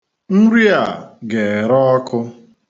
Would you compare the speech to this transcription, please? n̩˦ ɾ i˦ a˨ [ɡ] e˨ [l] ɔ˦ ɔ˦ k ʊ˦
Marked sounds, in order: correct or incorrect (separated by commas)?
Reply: correct, incorrect